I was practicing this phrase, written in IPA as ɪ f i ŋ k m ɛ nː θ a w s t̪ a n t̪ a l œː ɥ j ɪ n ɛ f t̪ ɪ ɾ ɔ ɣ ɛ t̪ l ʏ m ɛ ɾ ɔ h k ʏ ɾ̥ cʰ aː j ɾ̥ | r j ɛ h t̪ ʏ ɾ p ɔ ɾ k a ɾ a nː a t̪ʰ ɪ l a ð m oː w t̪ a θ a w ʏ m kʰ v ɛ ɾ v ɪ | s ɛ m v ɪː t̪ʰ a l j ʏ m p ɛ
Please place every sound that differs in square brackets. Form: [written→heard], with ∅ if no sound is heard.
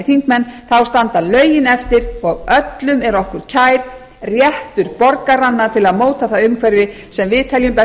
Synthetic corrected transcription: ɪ f i ŋ k m ɛ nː θ a w s t̪ a n t̪ a l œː ɥ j ɪ n ɛ f t̪ ɪ ɾ ɔ ɣ [ɛ→œ] t̪ l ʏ m ɛ ɾ ɔ h k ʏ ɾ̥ cʰ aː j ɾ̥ | r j ɛ h t̪ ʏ ɾ p ɔ ɾ k a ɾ a nː a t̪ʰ ɪ l a ð m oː w t̪ a θ a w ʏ m kʰ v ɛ ɾ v ɪ | s ɛ m v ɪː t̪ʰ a l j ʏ m p ɛ